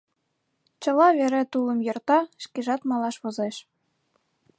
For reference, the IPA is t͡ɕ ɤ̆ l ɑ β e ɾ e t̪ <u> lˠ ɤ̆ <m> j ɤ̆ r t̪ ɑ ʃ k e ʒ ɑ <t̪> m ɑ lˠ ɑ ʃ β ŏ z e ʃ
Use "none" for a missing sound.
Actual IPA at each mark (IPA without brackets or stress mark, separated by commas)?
u, m, t̪